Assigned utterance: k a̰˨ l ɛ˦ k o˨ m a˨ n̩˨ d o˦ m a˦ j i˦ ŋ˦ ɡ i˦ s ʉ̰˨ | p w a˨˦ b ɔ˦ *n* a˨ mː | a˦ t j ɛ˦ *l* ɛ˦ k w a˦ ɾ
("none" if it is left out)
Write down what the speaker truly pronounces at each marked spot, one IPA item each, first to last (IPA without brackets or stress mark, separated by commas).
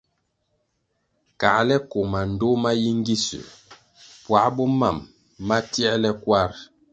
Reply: m, l